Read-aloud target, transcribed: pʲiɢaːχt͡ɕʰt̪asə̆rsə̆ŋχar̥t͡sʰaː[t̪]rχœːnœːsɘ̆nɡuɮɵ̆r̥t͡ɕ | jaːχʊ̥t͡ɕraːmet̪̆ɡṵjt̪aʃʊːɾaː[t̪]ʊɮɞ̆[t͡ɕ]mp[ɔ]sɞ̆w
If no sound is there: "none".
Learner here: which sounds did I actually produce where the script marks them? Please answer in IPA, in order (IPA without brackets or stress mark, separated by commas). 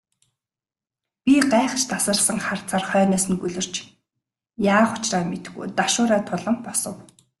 none, t̪ʰ, none, ɔ